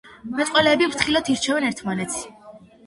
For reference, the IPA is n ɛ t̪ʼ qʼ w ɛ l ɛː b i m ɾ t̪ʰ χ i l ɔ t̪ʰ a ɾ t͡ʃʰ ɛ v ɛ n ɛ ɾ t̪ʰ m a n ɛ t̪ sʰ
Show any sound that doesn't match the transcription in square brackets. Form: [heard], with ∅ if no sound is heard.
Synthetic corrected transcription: [m] ɛ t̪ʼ qʼ w ɛ l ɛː b i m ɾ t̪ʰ χ i l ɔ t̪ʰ [i] ɾ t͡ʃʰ ɛ v ɛ n ɛ ɾ t̪ʰ m a n ɛ t̪ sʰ